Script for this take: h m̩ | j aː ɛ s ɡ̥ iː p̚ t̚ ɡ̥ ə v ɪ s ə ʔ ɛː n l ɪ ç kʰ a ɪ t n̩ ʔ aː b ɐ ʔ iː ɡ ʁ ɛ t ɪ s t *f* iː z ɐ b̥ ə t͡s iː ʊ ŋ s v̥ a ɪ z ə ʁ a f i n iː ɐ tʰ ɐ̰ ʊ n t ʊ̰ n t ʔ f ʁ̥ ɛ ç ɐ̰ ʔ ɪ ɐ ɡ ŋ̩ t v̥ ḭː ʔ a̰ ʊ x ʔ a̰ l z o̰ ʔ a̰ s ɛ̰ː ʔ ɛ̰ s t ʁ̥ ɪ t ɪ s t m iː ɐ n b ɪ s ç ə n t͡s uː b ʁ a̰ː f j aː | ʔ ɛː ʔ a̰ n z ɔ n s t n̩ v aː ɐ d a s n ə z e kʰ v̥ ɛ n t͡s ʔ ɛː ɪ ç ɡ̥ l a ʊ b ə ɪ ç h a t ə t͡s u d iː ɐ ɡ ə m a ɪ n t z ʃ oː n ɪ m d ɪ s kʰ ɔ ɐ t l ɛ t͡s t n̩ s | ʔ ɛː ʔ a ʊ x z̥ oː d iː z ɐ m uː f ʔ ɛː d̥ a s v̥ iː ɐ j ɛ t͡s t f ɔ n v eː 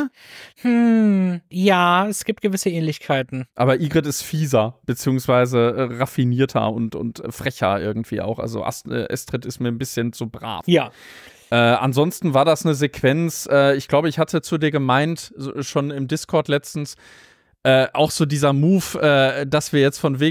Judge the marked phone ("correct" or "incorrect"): correct